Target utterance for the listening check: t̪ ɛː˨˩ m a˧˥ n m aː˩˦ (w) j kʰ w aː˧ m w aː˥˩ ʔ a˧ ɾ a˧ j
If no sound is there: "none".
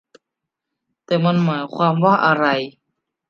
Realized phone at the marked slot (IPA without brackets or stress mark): none